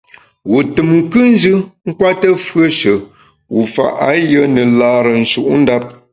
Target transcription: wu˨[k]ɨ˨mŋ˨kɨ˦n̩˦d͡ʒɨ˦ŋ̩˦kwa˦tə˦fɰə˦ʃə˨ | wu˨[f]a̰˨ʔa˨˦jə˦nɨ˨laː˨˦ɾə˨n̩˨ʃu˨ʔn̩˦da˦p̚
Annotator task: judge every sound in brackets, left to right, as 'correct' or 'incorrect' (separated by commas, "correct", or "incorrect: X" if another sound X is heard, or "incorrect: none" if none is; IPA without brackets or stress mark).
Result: incorrect: t, correct